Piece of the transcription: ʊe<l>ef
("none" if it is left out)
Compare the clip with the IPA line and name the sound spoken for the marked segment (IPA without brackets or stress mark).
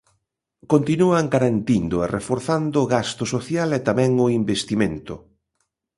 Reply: r